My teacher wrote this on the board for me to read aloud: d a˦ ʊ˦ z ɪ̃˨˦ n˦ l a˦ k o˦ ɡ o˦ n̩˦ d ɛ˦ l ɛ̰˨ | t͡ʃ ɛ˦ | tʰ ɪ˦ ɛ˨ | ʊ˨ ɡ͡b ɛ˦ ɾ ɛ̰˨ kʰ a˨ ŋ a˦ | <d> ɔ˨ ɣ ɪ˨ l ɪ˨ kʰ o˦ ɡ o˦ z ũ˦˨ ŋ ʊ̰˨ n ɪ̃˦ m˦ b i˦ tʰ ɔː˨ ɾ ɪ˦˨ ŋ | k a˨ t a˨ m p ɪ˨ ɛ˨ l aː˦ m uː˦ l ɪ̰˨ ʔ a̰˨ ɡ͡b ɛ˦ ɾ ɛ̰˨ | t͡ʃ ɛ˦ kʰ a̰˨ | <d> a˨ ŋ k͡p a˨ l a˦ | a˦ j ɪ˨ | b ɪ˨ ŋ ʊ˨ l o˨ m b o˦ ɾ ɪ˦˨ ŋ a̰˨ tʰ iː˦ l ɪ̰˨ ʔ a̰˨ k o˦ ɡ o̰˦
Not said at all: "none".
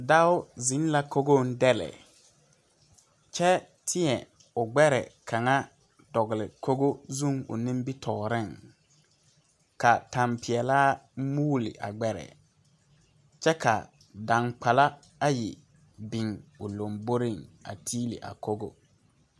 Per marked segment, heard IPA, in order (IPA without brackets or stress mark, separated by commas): d, d